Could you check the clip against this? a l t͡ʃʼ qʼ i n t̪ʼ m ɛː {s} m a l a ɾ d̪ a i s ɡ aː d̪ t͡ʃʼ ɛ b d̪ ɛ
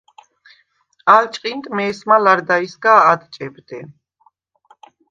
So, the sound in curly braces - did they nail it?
yes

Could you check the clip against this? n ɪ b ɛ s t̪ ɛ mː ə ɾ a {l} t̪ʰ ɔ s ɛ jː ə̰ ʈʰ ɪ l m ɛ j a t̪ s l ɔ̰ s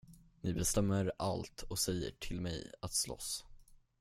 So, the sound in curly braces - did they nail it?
yes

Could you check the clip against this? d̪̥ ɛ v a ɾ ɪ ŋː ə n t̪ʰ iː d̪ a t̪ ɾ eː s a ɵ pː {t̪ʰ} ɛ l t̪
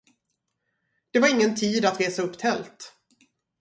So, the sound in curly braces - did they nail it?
yes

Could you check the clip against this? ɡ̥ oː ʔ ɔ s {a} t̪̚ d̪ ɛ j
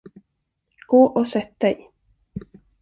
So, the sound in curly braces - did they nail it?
no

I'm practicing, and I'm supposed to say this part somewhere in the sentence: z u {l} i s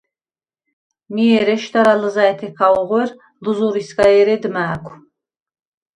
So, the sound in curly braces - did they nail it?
no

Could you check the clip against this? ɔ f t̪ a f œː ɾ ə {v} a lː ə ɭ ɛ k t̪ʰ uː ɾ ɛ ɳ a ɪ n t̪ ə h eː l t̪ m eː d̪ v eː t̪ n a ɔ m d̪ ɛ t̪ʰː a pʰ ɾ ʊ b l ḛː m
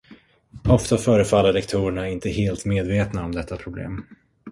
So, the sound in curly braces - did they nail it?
no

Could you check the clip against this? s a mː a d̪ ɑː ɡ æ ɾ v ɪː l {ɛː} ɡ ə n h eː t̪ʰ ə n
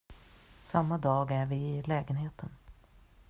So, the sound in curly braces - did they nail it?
yes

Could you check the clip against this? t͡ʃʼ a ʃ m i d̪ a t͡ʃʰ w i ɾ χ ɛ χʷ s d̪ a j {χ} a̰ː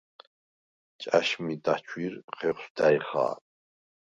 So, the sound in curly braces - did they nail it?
yes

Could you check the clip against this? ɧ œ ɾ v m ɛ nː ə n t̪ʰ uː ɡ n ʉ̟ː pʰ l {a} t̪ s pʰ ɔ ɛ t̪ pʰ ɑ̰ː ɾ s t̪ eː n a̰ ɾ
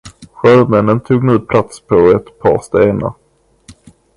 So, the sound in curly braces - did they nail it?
yes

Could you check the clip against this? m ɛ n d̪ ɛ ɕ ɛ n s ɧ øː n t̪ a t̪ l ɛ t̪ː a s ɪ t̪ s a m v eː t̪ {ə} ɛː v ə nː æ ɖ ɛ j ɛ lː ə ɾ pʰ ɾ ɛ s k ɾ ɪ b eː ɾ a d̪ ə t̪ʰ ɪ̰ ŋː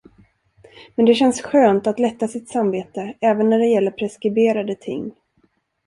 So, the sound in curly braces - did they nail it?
yes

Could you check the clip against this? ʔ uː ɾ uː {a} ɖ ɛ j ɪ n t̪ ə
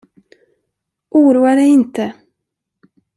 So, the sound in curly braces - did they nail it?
yes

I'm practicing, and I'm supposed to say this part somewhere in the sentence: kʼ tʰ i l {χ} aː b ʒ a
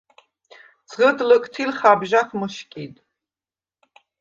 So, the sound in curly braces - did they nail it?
yes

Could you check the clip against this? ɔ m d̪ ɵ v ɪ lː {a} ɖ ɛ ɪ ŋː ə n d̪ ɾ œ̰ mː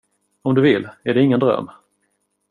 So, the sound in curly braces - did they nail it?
no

